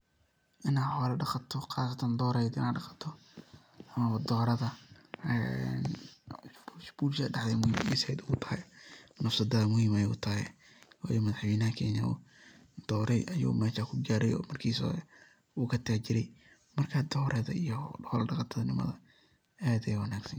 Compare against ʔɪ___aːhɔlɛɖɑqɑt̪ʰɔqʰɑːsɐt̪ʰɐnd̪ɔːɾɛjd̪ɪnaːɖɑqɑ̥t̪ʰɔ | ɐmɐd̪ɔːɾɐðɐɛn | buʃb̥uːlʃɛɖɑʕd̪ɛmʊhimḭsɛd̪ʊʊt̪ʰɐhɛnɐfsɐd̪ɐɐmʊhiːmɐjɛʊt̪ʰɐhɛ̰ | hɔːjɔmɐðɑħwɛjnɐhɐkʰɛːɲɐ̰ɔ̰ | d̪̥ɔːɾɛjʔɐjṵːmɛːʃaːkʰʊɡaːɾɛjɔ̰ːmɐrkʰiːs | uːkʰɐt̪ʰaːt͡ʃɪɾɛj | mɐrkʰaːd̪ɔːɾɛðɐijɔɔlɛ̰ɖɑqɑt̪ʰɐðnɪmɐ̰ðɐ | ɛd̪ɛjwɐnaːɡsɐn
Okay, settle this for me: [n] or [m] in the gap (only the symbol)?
n